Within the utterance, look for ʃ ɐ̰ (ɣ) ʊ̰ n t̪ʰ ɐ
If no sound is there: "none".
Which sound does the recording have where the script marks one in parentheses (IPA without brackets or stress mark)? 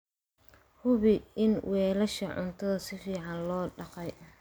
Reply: ʕ